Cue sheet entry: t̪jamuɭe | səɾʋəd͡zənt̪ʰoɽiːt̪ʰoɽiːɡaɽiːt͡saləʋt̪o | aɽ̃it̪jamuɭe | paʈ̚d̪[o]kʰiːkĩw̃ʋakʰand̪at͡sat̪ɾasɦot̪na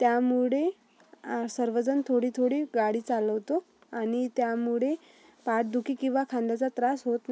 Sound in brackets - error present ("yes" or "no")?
yes